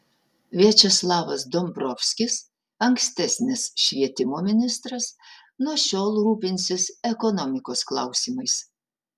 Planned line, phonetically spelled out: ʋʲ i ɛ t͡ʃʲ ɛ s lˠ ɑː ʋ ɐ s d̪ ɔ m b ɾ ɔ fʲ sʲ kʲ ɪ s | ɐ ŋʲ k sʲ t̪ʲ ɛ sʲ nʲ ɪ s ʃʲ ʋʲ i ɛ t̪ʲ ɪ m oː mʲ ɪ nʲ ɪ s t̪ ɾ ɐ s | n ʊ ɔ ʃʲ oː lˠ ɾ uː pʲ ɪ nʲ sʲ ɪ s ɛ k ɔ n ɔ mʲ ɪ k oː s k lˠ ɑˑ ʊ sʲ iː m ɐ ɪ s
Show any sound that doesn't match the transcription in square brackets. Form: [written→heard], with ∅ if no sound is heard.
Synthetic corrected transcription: ʋʲ i ɛ t͡ʃʲ ɛ s lˠ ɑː ʋ ɐ s d̪ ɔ m b ɾ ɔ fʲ sʲ kʲ ɪ s | ɐ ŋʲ k sʲ t̪ʲ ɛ sʲ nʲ ɪ s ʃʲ ʋʲ i ɛ t̪ʲ ɪ m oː mʲ ɪ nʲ ɪ s t̪ ɾ ɐ s | n [ʊ→u] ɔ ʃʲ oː lˠ ɾ uː pʲ ɪ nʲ sʲ ɪ s ɛ k ɔ n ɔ mʲ ɪ k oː s k lˠ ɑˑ ʊ sʲ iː m ɐ ɪ s